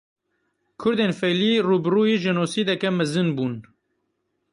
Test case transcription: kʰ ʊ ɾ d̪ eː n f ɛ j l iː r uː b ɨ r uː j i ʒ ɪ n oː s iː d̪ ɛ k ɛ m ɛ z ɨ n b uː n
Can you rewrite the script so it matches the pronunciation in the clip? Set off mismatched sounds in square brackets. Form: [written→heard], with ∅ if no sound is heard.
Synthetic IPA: kʰ ʊ ɾ d̪ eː n f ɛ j l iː r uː b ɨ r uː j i ʒ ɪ n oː s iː d̪ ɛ k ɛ m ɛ z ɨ n b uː n